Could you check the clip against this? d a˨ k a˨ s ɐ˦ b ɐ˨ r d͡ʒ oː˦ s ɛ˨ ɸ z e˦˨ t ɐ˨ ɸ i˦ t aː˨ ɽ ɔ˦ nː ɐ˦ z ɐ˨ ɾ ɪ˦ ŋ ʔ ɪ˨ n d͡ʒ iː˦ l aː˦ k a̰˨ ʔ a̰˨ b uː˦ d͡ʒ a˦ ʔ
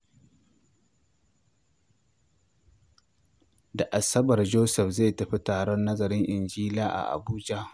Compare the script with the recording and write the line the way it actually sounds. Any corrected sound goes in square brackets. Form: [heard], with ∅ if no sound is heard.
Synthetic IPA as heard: d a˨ [ʔ] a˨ s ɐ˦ b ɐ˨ r d͡ʒ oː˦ s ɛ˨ ɸ z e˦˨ t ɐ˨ ɸ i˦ t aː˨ ɽ ɔ˦ nː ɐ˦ z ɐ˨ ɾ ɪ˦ ŋ ʔ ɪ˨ n d͡ʒ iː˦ l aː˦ [ʔ] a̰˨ ʔ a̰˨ b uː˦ d͡ʒ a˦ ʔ